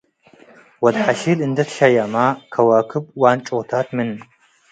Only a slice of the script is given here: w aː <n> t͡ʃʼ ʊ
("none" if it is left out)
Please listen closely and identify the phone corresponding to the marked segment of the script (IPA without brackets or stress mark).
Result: n